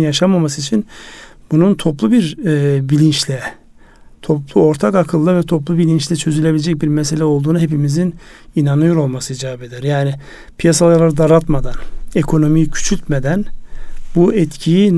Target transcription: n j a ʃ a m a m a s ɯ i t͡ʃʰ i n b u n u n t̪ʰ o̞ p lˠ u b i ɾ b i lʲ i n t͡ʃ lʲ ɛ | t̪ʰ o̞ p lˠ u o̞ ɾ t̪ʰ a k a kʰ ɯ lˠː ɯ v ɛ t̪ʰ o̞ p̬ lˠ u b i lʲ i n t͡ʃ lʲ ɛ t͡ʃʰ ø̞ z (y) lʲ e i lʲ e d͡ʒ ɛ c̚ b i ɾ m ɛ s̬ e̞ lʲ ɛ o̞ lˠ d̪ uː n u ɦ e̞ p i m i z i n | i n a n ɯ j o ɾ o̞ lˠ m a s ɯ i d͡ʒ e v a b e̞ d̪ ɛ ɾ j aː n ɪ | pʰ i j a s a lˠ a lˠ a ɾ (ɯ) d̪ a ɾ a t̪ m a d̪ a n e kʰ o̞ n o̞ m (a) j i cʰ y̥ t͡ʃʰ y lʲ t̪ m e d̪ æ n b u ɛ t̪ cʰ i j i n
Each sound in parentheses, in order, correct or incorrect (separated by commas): correct, correct, incorrect